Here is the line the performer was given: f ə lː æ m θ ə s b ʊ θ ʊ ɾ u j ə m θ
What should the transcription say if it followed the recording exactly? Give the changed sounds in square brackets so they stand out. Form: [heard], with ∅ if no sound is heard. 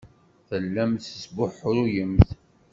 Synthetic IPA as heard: [θ] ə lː æ m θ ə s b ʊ [ħ] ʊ ɾ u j ə m θ